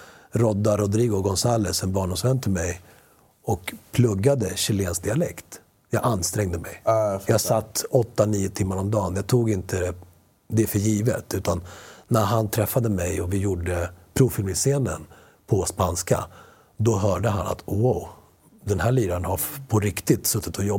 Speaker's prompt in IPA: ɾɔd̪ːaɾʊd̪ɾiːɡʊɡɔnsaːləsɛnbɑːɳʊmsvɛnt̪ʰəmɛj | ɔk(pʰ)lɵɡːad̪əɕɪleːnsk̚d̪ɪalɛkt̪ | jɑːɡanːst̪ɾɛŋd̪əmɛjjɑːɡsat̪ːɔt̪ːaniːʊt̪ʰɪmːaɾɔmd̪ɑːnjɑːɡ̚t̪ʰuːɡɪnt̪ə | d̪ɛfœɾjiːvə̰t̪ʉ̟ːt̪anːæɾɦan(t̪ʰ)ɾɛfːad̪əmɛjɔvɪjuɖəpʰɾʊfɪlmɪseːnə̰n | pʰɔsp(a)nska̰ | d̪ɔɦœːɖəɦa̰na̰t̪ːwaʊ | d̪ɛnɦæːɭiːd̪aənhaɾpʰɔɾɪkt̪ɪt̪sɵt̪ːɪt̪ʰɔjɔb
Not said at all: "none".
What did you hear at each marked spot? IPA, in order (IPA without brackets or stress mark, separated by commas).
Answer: pʰ, t̪ʰ, a